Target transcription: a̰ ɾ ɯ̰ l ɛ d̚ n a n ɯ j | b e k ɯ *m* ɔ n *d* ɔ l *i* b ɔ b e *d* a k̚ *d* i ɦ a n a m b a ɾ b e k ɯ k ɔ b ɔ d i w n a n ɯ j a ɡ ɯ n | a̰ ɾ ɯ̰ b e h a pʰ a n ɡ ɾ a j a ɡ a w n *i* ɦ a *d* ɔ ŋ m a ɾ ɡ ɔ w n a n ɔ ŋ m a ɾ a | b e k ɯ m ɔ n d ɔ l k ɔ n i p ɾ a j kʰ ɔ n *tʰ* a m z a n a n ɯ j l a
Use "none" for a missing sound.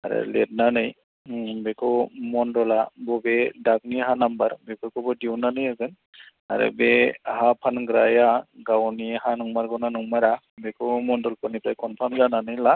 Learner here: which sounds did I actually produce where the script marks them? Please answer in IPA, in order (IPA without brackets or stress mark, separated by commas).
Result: m, d, a, d, n, i, n, pʰ